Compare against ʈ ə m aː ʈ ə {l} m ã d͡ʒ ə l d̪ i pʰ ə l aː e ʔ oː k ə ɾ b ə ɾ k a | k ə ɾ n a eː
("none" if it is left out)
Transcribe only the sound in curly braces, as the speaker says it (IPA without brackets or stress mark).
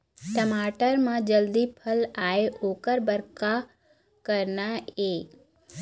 ɾ